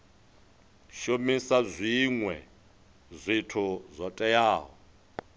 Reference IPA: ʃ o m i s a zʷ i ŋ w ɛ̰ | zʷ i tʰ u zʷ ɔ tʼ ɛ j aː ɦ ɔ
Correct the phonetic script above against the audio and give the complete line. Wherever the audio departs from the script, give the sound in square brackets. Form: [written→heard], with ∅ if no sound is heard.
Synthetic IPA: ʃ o m i s a zʷ i ŋ w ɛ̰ | zʷ i tʰ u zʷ ɔ tʼ ɛ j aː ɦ ɔ